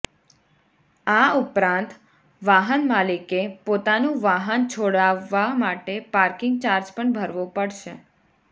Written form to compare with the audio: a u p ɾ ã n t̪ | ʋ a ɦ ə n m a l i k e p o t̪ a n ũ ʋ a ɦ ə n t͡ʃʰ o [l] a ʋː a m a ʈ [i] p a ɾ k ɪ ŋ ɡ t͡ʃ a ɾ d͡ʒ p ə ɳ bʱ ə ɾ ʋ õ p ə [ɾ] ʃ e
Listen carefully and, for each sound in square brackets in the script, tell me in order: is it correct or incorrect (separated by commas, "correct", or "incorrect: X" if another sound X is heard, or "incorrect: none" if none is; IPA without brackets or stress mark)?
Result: incorrect: ɽ, incorrect: e, incorrect: ɽ